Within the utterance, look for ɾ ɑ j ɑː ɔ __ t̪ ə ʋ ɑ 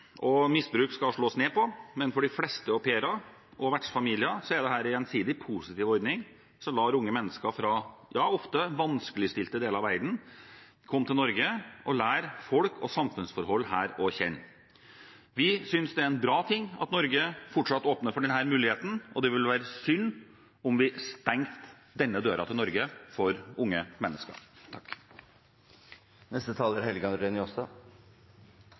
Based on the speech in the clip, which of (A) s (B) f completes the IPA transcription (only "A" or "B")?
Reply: B